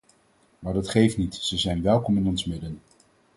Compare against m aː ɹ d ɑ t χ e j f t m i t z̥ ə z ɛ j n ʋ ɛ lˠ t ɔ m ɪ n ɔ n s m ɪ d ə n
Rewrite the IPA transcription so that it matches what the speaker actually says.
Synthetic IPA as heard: m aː ɹ d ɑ t χ e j f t n i t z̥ ə z ɛ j n ʋ ɛ lˠ k ɔ m ɪ n ɔ n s m ɪ d ə n